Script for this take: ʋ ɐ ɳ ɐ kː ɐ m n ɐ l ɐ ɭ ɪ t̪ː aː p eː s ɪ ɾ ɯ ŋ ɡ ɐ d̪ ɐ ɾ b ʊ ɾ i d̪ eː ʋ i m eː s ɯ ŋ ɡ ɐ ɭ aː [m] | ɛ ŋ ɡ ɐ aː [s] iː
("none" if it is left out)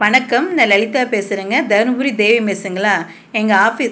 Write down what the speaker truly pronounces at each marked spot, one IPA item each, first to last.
none, f

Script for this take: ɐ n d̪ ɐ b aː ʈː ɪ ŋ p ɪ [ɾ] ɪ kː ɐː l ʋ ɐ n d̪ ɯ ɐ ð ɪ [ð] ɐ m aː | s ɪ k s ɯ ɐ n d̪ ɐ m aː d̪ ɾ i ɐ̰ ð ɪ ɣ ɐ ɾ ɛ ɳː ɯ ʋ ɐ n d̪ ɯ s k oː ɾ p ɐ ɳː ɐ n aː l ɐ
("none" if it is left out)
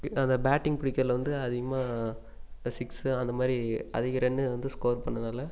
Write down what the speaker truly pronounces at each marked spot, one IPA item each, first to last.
ɽ, ɣ

